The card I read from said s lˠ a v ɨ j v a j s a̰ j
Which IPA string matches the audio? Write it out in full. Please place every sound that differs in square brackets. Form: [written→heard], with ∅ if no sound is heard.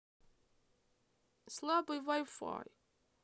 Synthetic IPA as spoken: s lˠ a [v→b] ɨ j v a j [s→f] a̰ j